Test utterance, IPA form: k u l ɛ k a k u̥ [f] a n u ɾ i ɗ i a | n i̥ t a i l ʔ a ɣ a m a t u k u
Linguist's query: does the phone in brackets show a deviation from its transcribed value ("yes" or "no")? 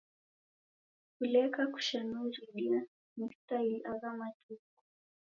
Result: yes